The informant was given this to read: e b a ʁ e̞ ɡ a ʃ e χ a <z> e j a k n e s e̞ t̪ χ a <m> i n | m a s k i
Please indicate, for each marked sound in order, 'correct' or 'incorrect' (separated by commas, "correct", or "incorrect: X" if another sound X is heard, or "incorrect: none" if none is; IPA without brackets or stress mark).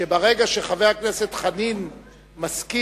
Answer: incorrect: v, incorrect: n